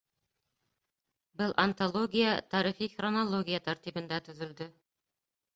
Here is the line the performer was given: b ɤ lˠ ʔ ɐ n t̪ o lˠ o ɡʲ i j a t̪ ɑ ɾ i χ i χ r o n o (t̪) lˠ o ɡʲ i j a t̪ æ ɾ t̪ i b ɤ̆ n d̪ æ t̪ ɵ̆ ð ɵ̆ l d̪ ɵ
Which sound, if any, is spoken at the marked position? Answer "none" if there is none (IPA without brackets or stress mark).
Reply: none